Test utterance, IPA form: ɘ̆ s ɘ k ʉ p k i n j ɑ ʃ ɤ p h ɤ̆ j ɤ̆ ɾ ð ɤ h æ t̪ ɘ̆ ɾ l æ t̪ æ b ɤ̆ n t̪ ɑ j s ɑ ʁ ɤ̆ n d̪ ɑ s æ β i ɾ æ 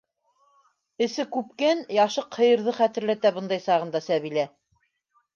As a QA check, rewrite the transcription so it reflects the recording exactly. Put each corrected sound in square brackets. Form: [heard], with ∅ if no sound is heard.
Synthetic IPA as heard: ɘ̆ s ɘ k ʉ p k [æ] n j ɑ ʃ ɤ [q] h ɤ̆ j ɤ̆ ɾ ð ɤ [χ] æ t̪ ɘ̆ ɾ l æ t̪ æ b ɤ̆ n [d̪] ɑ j s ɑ ʁ ɤ̆ n d̪ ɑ s æ β i [l] æ